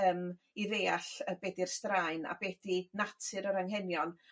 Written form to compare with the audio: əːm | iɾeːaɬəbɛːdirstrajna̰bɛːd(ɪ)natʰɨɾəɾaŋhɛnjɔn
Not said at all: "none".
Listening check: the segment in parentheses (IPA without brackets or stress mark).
i